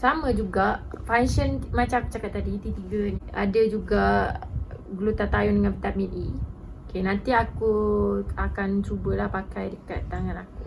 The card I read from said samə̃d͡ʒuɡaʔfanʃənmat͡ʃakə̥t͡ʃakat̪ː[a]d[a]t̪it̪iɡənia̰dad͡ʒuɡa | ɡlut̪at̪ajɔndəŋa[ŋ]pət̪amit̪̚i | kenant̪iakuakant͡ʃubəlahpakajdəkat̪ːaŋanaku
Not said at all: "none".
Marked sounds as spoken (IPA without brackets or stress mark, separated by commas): a, i, n